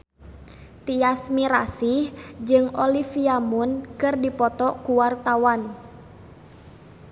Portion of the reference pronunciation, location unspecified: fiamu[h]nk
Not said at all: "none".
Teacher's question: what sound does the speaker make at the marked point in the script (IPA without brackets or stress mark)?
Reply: none